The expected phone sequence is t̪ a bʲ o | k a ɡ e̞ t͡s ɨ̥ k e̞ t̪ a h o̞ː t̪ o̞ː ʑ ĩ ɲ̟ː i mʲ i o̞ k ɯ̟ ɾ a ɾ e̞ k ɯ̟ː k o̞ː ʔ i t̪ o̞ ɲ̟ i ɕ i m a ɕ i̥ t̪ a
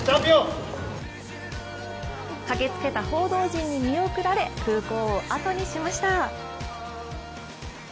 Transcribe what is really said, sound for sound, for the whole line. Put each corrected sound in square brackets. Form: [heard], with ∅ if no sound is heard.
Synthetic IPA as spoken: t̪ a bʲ o | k a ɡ e̞ t͡s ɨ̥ k e̞ t̪ a h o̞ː [d̪] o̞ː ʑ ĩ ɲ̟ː i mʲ i o̞ k ɯ̟ ɾ a ɾ e̞ k ɯ̟ː k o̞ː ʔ [a] t̪ o̞ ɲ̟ i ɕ i m a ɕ i̥ t̪ a